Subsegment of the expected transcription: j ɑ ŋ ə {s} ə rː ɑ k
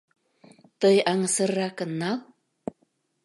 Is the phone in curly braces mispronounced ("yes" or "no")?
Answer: no